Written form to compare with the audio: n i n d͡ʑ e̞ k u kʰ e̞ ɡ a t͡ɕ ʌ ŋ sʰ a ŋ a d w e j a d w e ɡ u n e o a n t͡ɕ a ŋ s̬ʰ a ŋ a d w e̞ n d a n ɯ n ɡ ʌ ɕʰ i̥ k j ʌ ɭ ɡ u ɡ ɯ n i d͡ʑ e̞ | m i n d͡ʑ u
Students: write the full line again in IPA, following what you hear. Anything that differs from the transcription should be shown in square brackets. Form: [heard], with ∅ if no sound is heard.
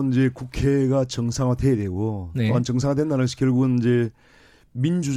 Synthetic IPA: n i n d͡ʑ e̞ k u kʰ e̞ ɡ a t͡ɕ ʌ ŋ sʰ a ŋ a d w e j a d w e ɡ [o] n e o a n t͡ɕ [ʌ] ŋ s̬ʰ a ŋ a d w e̞ n d a n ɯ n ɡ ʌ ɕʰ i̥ k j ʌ ɭ ɡ u ɡ ɯ n i d͡ʑ e̞ | m i n d͡ʑ u